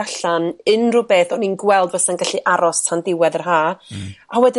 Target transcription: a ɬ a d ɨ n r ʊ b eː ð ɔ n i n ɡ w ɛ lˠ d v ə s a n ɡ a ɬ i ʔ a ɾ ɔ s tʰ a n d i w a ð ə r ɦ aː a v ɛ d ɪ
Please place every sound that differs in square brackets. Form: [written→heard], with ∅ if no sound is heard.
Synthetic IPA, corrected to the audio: a ɬ a [d→n] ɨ n r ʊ b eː [ð→θ] ɔ n i n ɡ w ɛ lˠ d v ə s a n ɡ a ɬ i ʔ a ɾ ɔ s tʰ a n d [i→ɪ] w [a→ɛ] ð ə r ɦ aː a [v→w] ɛ d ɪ